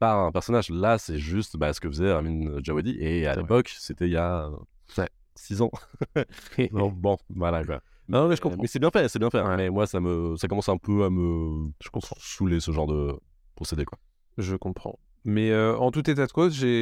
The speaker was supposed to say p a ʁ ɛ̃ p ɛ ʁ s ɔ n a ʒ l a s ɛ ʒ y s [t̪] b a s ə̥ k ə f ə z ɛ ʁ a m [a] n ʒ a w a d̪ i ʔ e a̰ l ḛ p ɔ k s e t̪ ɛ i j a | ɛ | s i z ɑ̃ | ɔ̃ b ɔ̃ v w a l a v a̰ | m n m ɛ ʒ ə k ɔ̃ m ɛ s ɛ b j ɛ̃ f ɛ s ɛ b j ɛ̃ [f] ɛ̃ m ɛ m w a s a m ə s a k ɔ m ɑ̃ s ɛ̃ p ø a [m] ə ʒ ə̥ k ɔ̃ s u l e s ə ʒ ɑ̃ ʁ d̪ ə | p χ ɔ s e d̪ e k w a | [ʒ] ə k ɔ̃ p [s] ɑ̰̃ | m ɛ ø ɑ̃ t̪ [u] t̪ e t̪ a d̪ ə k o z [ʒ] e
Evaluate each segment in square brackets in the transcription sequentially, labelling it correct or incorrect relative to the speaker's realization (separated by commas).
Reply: correct, incorrect, correct, correct, correct, incorrect, correct, correct